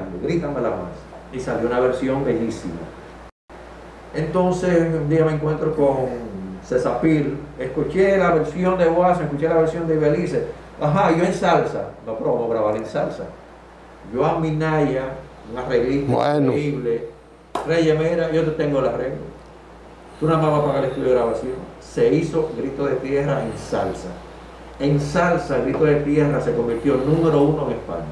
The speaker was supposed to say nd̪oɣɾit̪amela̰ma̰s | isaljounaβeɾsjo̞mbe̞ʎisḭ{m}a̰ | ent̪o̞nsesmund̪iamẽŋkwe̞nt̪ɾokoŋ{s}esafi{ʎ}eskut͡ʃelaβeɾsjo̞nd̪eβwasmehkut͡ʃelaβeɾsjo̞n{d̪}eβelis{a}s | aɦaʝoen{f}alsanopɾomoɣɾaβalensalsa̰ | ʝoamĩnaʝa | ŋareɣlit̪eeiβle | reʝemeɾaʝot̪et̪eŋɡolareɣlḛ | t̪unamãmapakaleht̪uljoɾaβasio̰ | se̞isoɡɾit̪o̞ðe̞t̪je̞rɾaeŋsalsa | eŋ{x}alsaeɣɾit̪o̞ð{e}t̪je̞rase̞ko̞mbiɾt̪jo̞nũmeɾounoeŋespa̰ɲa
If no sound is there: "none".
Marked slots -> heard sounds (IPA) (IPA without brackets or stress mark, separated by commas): m, s, ɾ, d̪, e, s, s, e